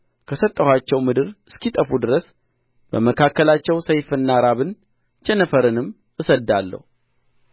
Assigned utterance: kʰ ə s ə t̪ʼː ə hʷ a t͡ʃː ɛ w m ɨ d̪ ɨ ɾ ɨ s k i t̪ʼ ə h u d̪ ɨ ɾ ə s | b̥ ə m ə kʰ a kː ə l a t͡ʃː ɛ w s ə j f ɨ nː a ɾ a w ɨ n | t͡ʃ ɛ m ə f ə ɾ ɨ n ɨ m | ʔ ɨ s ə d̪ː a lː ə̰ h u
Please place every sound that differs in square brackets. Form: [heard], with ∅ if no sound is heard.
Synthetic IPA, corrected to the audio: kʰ ə s ə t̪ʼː ə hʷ a t͡ʃː ɛ w m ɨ d̪ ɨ ɾ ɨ s k i t̪ʼ ə [f] u d̪ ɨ ɾ ə s | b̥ ə m ə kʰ a kː ə l a t͡ʃː ɛ w s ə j f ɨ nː a ɾ a [β] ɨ n | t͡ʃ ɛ [n] ə f ə ɾ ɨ n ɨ m | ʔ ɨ s ə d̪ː a lː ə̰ h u